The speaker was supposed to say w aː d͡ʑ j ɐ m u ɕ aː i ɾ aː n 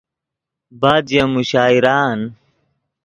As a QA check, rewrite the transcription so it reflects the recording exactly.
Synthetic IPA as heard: b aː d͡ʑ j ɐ m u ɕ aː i ɾ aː n